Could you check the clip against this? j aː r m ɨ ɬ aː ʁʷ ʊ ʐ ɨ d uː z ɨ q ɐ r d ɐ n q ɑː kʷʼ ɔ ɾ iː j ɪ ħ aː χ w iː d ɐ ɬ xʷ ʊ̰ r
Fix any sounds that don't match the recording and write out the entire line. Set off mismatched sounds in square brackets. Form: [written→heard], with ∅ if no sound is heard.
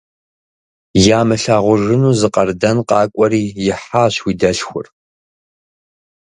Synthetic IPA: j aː [r→∅] m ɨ ɬ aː ʁʷ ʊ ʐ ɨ [d→n] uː z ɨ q ɐ r d ɐ n q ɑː kʷʼ ɔ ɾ iː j ɪ ħ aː [χ→ɕ] w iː d ɐ ɬ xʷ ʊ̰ r